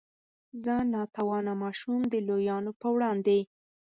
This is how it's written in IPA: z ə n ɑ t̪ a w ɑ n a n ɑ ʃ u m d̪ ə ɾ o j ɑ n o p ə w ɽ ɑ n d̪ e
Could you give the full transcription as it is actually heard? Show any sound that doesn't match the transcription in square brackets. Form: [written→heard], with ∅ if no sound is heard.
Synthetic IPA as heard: z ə n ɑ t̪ a w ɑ n a [n→m] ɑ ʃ u m d̪ ə [ɾ→l] o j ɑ n o p ə w ɽ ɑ n d̪ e